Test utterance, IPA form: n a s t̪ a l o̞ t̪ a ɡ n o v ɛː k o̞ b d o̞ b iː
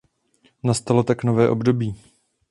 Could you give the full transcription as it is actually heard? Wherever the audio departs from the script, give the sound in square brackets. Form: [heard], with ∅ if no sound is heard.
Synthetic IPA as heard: n a s t̪ a l o̞ t̪ a [k] n o v ɛː [ʔ] o̞ b d o̞ b iː